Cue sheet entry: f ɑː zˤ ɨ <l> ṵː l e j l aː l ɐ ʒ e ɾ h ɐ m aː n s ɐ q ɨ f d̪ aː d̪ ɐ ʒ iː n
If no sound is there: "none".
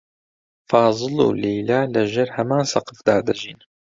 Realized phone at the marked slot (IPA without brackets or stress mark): l